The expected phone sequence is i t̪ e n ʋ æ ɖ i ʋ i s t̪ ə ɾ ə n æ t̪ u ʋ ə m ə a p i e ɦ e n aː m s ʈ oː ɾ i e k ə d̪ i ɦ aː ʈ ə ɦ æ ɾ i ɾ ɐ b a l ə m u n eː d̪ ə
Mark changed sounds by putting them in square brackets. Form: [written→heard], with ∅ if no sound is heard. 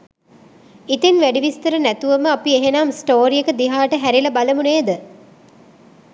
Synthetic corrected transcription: i t̪ e n ʋ æ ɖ i ʋ i s t̪ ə ɾ ə n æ t̪ u ʋ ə m ə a p i e ɦ e n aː m s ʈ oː ɾ i e k ə d̪ i ɦ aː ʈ ə ɦ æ ɾ i [ɾ→l] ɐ b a l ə m u n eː d̪ ə